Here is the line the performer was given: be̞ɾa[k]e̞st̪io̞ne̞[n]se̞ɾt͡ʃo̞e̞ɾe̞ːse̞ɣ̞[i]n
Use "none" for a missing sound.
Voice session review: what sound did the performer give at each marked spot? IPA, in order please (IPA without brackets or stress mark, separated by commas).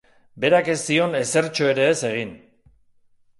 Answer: k, none, i